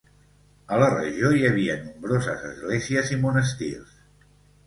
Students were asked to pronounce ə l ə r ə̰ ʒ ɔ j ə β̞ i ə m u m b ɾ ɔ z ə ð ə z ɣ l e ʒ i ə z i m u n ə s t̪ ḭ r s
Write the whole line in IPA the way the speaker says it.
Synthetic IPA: ə l ə r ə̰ ʒ o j ə β̞ i ə n u m b ɾ o z ə z ə z ɣ l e z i ə z i m u n ə s t̪ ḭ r s